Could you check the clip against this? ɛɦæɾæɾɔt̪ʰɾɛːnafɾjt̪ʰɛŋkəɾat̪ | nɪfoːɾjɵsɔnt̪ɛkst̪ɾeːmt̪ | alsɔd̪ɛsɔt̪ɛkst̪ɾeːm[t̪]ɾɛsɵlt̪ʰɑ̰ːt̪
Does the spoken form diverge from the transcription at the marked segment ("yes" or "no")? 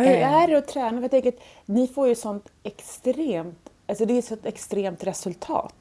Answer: no